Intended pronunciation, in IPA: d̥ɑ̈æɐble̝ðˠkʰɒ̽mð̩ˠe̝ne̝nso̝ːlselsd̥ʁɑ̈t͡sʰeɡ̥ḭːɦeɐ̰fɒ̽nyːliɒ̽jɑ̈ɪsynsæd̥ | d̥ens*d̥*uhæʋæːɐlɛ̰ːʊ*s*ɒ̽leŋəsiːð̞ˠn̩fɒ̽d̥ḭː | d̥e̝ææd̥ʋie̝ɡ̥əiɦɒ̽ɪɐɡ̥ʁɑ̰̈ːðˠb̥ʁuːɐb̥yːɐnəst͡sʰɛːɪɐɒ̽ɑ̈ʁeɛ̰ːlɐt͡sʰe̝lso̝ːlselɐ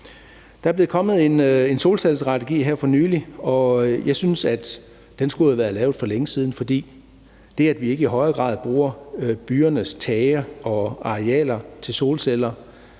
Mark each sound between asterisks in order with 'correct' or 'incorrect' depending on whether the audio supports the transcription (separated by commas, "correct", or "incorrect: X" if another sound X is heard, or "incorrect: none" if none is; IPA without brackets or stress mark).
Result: incorrect: ɡ̥, incorrect: f